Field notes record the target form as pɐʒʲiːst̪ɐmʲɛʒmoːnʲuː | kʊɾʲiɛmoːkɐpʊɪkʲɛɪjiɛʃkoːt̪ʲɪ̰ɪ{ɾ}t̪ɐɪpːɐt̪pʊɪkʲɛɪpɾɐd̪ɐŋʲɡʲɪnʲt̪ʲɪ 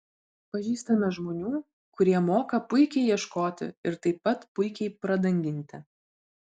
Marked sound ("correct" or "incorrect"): correct